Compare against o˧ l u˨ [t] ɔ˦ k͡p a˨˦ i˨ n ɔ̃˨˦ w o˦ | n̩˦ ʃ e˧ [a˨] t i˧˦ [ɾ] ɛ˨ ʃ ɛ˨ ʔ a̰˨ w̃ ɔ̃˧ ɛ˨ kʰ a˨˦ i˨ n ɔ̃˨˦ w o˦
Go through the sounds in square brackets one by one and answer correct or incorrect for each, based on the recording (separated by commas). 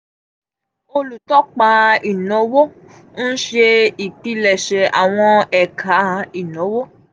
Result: correct, incorrect, incorrect